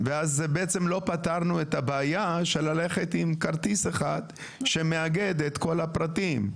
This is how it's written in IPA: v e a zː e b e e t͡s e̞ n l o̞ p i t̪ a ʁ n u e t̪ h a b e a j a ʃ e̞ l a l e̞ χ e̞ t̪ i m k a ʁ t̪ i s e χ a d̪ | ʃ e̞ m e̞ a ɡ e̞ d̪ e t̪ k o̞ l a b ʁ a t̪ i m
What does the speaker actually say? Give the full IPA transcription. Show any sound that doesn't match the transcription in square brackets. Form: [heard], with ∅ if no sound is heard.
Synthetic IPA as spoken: v e a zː e b e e t͡s e̞ [m] l o̞ p [a] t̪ a ʁ n u e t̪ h a b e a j a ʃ e̞ l a l e̞ χ e̞ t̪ i m k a ʁ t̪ i s e χ a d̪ | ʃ e̞ m e̞ a ɡ e̞ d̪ e t̪ k o̞ l a [p] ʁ a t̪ i m